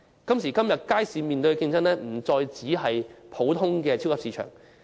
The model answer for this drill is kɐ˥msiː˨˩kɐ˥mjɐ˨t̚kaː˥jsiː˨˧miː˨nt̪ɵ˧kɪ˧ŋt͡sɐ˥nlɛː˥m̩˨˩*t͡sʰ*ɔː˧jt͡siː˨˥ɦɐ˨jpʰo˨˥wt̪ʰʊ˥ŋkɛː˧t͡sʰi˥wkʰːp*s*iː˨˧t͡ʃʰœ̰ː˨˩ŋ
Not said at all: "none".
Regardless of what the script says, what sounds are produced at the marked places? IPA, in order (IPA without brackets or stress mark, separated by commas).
t͡s, s